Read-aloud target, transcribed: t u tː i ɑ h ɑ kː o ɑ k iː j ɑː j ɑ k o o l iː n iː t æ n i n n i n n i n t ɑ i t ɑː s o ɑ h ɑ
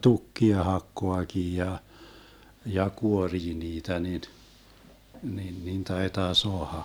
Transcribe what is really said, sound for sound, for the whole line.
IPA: t u kː i ɑ h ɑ kː o ɑ k iː j ɑ j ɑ k u o r iː n iː t æ n i n n i n n i n t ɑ i t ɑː s o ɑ h ɑ